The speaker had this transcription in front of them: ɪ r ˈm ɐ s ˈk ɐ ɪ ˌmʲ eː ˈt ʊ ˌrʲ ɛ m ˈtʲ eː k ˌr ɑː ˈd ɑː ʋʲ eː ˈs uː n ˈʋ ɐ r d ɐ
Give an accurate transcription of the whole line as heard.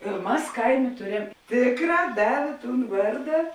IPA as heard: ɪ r ˈm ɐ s ˈk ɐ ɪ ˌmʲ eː ˈt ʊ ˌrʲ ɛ m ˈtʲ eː k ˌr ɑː ˈd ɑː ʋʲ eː ˈt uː n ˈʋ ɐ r d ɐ